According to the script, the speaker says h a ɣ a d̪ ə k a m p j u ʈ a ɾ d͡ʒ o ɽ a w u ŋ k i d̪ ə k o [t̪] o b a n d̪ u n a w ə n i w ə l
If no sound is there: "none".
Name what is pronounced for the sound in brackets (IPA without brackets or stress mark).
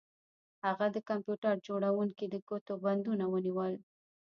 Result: t̪